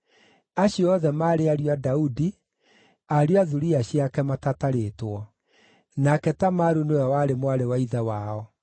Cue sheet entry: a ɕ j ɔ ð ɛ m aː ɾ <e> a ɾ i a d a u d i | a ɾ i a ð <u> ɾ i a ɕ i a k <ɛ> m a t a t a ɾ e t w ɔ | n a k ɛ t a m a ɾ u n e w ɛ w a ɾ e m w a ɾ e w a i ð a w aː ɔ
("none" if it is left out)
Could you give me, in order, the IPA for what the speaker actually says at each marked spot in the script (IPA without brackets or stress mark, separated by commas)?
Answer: e, u, ɛ